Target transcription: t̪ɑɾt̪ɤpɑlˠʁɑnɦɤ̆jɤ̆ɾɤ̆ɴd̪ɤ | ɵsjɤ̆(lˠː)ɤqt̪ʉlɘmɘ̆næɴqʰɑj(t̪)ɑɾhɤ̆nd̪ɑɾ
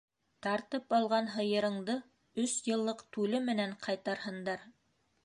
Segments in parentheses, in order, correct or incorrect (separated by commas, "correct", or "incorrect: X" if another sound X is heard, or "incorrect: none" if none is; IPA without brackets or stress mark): correct, correct